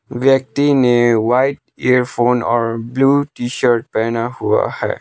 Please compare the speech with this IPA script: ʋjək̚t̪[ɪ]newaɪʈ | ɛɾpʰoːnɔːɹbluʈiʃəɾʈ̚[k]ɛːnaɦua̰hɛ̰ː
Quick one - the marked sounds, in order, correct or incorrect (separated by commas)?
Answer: incorrect, incorrect